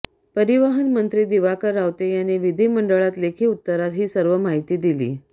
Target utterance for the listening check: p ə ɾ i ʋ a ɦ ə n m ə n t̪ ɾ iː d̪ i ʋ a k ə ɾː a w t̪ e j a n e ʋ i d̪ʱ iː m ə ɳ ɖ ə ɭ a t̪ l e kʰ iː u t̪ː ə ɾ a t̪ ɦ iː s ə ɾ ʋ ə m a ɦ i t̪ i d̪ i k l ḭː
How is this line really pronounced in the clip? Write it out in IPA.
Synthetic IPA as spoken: p ə ɾ i ʋ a ɦ ə n m ə n t̪ ɾ iː d̪ i ʋ a k ə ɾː a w t̪ e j a n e ʋ i d̪ʱ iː m ə ɳ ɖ ə ɭ a t̪ l e kʰ iː u t̪ː ə ɾ a t̪ ɦ iː s ə ɾ ʋ ə m a ɦ i t̪ iː d̪ i l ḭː